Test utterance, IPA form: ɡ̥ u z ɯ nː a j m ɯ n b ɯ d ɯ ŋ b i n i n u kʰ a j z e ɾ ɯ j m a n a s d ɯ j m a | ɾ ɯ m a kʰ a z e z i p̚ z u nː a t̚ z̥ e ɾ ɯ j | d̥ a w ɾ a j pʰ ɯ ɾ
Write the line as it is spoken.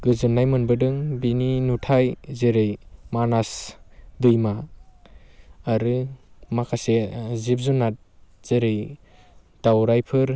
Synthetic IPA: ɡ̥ ɯ z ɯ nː a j m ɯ n b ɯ d ɯ ŋ b i n i n u tʰ a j z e ɾ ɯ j m a n a s d ɯ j m a | ɾ ɯ m a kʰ a s e z i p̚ z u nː a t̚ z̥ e ɾ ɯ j | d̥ a w ɾ a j pʰ ɯ ɾ